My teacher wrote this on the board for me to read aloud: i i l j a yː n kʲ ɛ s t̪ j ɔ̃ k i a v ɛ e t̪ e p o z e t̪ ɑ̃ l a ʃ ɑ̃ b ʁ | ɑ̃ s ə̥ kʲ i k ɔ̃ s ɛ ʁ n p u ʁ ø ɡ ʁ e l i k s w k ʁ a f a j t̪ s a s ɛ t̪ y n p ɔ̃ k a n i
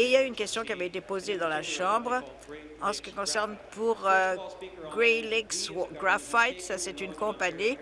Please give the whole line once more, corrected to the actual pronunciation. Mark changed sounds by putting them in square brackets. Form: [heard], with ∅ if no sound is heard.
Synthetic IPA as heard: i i l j a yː n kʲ ɛ s t̪ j ɔ̃ k i a v ɛ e t̪ e p o z e [d̪] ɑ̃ l a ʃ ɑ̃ b ʁ | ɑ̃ s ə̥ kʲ i k ɔ̃ s ɛ ʁ n p u ʁ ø ɡ ʁ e l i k s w [ɡ] ʁ a f a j t̪ s a s ɛ t̪ y n [k] ɔ̃ [p] a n i